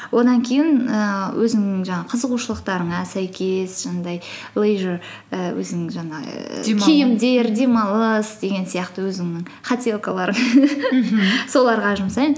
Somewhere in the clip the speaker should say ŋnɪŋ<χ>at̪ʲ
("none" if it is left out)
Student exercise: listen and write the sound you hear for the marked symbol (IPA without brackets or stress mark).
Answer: χ